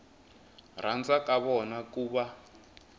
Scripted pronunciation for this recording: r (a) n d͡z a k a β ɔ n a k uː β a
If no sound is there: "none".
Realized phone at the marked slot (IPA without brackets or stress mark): a